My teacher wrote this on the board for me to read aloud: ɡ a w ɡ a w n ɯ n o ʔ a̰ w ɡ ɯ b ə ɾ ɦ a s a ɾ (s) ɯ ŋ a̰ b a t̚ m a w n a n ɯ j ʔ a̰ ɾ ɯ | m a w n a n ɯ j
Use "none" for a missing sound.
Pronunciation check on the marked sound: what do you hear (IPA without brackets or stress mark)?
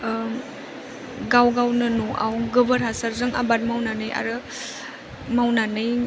z